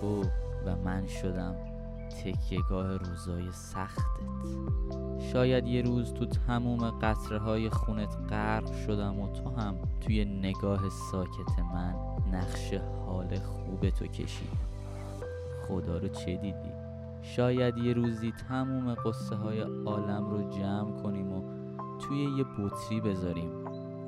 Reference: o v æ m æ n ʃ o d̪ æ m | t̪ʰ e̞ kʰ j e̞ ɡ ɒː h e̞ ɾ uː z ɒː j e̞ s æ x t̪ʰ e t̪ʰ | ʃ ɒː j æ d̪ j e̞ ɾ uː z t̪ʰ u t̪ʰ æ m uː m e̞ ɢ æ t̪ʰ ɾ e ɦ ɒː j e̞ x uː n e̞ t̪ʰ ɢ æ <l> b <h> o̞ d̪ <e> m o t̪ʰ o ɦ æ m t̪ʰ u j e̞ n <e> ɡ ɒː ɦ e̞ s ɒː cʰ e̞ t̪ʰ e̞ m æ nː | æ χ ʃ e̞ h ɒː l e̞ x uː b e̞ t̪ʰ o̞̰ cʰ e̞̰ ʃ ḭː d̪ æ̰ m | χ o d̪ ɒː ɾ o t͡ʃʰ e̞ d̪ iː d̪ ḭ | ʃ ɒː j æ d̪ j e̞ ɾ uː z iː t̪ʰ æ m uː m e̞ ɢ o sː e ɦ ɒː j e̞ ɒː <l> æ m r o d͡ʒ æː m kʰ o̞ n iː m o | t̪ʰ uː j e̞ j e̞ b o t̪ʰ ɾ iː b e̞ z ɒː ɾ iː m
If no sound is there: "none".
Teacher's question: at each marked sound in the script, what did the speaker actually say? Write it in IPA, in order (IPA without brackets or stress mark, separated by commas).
ɾ, ʃ, æ, e, l